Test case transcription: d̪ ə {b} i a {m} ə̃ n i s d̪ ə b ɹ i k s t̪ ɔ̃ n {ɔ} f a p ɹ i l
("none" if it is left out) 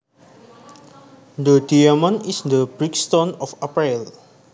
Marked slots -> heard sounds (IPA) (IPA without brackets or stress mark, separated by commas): d, m, ɔ